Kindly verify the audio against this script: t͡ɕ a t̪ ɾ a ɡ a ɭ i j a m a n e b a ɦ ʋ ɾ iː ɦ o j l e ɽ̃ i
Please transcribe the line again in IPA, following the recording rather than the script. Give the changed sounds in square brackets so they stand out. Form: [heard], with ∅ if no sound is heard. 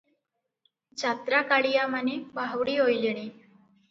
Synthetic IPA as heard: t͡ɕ a t̪ ɾ a [k] a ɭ i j a m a n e b a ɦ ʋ [ɽ] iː ɦ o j l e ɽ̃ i